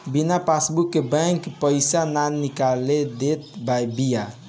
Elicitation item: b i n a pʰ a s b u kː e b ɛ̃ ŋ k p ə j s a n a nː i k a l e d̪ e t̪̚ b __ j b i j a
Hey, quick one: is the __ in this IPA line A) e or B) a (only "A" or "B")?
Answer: B